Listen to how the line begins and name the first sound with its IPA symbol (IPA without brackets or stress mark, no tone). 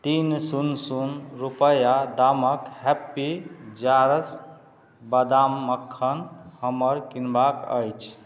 t̪